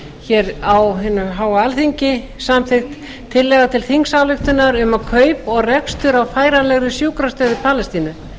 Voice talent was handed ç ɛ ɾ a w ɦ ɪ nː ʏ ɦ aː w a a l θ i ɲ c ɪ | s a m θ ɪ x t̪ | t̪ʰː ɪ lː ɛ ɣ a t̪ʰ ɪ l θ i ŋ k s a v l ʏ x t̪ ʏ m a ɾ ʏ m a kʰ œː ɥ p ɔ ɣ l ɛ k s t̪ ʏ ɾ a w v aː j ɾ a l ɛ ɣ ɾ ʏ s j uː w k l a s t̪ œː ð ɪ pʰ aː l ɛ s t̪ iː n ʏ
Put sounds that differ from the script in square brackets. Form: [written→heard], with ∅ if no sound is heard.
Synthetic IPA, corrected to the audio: ç ɛ ɾ a w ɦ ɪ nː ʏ ɦ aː w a a l θ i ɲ c ɪ | s a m θ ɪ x t̪ | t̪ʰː ɪ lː ɛ ɣ a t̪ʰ ɪ l θ i ŋ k s a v l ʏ x t̪ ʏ [m→n] a ɾ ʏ m a kʰ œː ɥ p ɔ ɣ [l→r] ɛ k s t̪ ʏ ɾ a w [v→f] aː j ɾ a l ɛ ɣ ɾ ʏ s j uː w k [l→ɾ] a s t̪ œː ð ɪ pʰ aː l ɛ s t̪ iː n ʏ